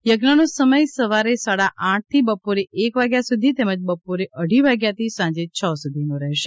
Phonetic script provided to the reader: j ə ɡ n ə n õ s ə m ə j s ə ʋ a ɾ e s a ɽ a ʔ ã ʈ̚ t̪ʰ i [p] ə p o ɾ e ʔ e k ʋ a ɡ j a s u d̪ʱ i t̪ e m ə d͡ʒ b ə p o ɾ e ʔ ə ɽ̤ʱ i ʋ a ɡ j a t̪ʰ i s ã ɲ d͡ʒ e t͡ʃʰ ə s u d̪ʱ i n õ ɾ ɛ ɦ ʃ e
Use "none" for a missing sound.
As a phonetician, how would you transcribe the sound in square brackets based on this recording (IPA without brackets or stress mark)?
b